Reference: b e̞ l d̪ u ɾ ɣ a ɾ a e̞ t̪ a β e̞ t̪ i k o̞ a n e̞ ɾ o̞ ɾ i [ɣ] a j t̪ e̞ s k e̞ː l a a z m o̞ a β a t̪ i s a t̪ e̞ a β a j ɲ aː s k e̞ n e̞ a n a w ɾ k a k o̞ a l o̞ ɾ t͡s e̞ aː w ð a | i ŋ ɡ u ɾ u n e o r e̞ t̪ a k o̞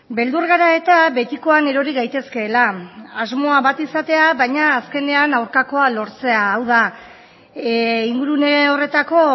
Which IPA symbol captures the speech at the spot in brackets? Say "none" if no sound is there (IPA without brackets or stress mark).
ɣ